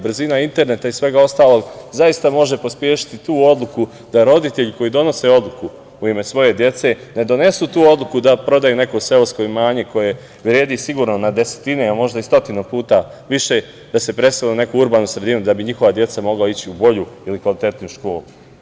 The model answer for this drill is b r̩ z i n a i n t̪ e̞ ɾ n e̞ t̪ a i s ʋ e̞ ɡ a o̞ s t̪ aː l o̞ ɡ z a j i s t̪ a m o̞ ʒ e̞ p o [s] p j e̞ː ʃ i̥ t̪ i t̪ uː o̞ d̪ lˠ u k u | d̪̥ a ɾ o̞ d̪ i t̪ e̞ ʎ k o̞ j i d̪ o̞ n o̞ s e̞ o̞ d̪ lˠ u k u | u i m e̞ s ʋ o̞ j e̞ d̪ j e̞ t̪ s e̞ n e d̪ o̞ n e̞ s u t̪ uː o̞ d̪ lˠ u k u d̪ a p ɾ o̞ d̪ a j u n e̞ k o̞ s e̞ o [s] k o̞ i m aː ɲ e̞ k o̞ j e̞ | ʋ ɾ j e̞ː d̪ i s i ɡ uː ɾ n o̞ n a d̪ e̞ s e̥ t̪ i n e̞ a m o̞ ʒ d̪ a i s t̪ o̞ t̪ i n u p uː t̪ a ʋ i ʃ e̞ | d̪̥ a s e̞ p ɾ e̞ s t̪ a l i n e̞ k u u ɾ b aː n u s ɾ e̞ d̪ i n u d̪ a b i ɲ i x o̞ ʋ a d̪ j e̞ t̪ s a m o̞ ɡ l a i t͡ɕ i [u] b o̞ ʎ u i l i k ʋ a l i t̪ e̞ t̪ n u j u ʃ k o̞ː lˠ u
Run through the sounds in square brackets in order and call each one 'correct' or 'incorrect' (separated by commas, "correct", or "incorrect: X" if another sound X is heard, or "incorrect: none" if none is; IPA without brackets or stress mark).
correct, correct, correct